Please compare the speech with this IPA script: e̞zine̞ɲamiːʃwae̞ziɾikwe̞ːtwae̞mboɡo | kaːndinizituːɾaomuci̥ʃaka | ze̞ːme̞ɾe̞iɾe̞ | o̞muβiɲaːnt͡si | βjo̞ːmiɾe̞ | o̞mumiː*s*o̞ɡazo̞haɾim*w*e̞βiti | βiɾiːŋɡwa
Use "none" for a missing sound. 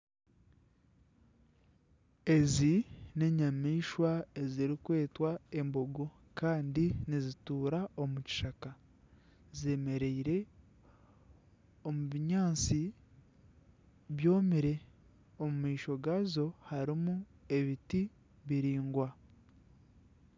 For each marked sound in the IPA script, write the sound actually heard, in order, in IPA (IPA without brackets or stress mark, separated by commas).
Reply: ʃ, u